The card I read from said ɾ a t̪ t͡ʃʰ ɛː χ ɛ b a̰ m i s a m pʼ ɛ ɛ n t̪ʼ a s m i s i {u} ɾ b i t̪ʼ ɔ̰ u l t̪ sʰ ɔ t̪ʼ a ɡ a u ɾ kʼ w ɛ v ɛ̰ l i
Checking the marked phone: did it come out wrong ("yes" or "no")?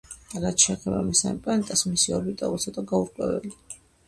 yes